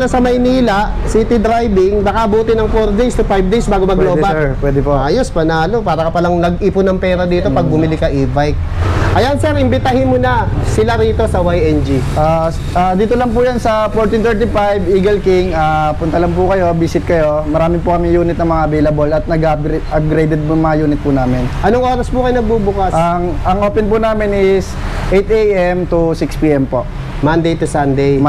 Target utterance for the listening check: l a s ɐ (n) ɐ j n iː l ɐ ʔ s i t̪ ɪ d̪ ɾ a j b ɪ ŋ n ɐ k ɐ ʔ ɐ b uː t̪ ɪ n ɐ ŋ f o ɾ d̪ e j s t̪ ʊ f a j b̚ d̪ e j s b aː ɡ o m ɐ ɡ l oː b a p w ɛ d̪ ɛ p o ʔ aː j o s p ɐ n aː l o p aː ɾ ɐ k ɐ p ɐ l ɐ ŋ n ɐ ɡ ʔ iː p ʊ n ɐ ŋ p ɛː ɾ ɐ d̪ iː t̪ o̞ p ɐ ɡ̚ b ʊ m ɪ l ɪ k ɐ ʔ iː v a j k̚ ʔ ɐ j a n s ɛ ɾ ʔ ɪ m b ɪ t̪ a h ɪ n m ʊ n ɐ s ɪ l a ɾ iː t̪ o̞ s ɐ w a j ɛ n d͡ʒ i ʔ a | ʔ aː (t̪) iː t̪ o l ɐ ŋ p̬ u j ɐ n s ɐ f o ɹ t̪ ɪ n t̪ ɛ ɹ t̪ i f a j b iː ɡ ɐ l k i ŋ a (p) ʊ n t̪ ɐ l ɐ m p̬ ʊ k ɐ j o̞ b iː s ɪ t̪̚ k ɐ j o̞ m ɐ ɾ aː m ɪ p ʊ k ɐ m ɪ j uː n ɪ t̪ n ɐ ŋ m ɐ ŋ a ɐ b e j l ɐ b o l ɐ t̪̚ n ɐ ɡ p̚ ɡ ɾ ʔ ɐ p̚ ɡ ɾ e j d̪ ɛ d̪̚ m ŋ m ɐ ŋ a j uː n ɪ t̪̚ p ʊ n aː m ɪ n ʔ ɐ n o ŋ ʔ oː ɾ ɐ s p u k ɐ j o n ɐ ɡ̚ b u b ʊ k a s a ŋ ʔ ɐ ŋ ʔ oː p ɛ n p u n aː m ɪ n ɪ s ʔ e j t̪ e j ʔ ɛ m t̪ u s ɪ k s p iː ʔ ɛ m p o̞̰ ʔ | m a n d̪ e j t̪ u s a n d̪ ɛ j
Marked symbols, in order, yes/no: no, no, yes

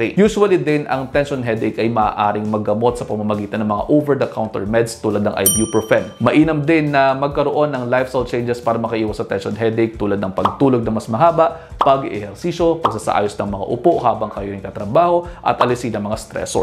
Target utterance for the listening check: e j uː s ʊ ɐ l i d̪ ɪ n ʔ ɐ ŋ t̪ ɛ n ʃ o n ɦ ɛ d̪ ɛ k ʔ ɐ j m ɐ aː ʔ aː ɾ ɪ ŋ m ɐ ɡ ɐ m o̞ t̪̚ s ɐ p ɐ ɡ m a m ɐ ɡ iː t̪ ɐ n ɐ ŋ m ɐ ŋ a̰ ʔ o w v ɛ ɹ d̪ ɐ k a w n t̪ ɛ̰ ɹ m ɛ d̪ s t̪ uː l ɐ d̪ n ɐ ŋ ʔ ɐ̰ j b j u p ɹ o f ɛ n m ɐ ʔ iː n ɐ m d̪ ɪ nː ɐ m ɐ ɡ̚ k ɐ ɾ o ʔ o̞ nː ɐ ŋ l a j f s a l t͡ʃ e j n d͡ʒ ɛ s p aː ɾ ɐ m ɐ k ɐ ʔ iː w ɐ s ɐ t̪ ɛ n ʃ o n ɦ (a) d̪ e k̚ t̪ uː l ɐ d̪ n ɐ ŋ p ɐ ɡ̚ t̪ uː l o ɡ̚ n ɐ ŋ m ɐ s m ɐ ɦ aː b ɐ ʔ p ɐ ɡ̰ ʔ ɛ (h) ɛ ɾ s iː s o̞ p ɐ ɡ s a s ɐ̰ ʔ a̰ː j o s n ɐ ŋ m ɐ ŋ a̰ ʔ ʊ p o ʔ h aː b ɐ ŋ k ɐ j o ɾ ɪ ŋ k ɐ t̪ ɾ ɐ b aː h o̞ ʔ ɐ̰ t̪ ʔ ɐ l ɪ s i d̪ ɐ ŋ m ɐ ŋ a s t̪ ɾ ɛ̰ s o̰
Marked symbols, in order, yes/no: no, yes

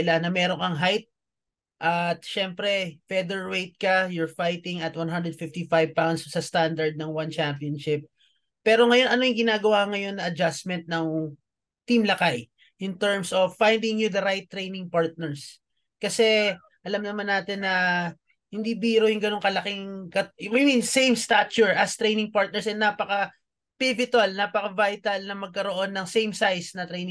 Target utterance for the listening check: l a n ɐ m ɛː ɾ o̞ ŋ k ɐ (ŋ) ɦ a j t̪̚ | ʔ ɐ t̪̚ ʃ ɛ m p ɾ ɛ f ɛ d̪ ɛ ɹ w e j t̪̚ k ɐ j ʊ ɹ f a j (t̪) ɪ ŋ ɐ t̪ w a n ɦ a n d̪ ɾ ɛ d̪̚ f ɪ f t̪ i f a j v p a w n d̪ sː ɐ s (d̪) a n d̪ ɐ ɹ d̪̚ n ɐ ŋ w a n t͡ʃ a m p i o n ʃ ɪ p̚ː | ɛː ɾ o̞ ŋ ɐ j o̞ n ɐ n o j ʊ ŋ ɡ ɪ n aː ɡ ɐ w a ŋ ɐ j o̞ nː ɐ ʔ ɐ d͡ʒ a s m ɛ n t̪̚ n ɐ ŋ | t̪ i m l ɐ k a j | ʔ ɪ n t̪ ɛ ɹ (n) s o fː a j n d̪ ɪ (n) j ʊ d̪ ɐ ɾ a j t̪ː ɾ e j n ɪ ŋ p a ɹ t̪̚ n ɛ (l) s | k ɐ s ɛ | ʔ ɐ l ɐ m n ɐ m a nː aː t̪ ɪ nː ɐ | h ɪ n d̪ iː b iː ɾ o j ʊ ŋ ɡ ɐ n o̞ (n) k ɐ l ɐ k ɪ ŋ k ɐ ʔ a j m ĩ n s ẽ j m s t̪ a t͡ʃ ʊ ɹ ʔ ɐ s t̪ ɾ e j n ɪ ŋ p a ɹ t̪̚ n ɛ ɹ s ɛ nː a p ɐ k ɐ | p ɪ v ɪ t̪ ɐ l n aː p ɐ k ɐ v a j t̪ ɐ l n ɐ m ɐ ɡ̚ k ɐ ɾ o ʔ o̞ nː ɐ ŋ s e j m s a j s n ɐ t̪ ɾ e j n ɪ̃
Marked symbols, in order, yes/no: yes, yes, no, no, no, no, no

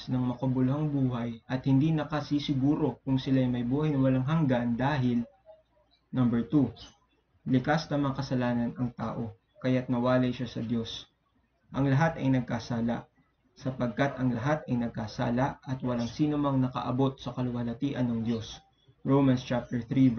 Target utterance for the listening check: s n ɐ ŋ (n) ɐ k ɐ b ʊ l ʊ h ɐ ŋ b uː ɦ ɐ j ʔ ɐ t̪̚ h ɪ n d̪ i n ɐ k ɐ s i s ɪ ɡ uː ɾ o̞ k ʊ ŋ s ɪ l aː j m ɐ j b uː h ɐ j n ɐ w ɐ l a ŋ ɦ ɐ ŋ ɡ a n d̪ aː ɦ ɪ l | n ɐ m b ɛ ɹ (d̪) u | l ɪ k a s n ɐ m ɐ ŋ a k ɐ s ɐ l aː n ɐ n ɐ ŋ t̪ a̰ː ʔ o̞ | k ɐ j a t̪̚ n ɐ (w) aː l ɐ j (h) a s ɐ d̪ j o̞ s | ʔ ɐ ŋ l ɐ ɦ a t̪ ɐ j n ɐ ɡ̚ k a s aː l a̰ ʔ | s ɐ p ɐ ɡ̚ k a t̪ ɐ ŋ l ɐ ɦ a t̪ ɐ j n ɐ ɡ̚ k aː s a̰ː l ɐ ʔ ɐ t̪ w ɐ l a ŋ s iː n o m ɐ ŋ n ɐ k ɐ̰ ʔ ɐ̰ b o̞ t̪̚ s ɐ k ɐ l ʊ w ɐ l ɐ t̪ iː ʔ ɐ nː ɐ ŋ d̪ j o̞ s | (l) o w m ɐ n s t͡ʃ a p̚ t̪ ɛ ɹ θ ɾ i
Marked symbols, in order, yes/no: no, no, yes, no, no

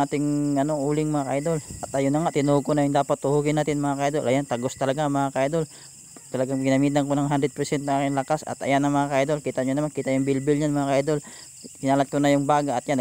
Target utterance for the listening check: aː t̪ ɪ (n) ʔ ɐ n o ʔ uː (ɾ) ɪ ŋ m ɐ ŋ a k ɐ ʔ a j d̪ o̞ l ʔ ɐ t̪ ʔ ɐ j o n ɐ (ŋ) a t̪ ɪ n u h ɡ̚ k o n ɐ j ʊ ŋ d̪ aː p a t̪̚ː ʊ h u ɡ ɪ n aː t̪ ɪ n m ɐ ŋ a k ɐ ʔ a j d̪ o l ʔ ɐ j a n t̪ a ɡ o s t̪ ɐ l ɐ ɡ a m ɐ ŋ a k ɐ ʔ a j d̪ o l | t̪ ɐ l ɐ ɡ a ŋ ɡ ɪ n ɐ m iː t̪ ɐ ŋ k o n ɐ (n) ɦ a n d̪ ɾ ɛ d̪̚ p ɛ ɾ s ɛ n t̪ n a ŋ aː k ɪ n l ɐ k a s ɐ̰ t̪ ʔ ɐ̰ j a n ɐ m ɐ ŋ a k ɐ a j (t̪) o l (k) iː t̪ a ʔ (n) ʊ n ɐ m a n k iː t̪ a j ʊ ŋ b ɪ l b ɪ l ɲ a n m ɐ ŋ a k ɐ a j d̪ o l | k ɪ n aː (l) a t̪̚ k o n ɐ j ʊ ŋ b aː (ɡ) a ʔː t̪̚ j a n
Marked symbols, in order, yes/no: no, no, yes, no, no, yes, no, yes, yes

